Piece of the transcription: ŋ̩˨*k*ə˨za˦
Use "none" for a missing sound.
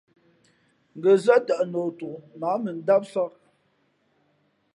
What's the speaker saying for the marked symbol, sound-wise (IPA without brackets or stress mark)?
ɡ